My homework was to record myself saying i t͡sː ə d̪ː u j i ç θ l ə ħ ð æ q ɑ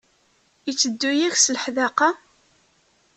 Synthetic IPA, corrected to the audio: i t͡sː ə d̪ː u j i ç s l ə ħ ð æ q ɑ